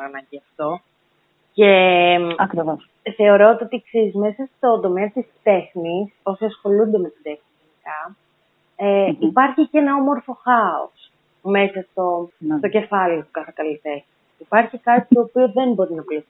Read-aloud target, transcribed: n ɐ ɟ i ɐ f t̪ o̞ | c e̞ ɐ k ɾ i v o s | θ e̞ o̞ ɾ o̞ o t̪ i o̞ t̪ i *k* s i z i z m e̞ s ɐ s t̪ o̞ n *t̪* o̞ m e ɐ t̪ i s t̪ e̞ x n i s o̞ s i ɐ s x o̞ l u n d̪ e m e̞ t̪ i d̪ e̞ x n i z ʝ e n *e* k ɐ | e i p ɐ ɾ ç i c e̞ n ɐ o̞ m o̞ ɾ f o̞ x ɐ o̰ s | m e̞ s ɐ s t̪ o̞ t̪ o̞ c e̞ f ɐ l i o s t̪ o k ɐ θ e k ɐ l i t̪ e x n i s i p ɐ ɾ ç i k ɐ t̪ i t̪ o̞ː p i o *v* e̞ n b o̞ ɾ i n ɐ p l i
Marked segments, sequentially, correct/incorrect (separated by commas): correct, incorrect, incorrect, incorrect